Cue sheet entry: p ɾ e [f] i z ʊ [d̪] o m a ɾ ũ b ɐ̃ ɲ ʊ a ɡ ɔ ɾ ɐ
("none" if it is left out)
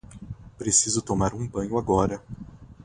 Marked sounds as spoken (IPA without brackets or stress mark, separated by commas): s, t̪